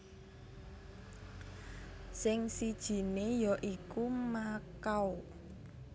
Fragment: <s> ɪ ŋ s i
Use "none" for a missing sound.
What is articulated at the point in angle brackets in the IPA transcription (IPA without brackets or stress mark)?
s